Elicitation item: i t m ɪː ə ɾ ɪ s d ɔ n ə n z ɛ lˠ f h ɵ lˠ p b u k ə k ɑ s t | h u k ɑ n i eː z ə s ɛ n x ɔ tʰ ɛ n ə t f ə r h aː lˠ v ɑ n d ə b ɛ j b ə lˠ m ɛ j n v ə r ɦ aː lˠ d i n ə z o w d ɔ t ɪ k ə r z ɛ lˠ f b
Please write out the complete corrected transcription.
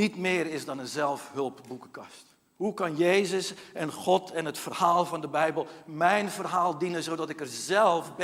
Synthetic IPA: i t m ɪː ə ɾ ɪ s d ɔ n ə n z ɛ lˠ f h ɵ lˠ p b u k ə k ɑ s t | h u k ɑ n j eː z ə s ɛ n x ɔ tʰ ɛ n ə t f ə r h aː lˠ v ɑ n d ə b ɛ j b ə lˠ m ɛ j n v ə r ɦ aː lˠ d i n ə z o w d ɔ t ɪ k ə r z ɛ lˠ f b